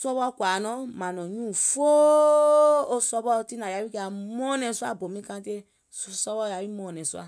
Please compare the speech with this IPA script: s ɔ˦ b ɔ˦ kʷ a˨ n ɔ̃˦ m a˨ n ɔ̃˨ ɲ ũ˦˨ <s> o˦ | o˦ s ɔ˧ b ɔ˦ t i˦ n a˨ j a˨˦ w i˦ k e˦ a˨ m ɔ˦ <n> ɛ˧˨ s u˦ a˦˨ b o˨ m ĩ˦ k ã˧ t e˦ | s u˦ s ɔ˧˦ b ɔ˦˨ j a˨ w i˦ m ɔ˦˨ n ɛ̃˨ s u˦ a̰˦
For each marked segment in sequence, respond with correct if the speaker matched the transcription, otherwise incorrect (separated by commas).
incorrect, correct